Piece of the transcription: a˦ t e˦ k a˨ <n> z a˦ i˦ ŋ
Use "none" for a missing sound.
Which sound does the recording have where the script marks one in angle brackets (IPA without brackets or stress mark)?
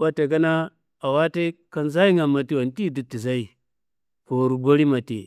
n